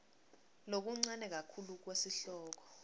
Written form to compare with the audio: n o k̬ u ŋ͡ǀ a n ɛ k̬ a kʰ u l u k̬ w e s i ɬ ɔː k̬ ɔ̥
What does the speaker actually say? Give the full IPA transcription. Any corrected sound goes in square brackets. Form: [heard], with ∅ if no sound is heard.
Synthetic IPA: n o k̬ u ŋ͡ǀ a n ɛ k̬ a kʰ u l u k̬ w e s i ɬ ɔː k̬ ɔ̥